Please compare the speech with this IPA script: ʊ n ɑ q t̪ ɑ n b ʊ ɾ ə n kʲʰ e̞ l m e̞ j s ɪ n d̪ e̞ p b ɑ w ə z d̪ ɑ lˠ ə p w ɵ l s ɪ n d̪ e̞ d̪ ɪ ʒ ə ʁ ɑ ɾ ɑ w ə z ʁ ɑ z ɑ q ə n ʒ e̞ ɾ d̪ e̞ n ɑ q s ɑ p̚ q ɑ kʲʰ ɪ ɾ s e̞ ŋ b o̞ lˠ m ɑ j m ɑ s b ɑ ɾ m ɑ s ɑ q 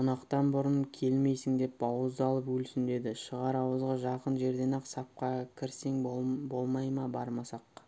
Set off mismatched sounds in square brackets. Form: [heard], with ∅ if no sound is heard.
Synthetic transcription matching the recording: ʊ n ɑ q t̪ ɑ n b ʊ ɾ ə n kʲʰ e̞ l m e̞ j s ɪ [ŋ] d̪ e̞ p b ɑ w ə z d̪ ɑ lˠ ə p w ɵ l s ɪ n d̪ e̞ d̪ ɪ [ʃ] ə ʁ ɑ ɾ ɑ w ə z ʁ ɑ [ʒ] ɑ q ə n ʒ e̞ ɾ d̪ e̞ n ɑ q s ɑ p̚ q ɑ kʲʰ ɪ ɾ s e̞ ŋ b o̞ lˠ m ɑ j m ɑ [∅] b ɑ ɾ m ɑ s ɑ q